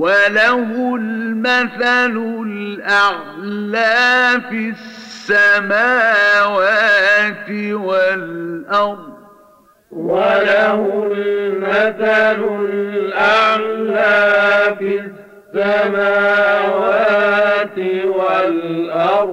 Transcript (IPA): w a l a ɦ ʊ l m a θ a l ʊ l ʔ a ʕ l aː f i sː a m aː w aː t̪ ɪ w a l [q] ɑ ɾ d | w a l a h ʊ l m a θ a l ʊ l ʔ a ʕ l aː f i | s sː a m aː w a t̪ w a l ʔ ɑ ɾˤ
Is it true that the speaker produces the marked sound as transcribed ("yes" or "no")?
no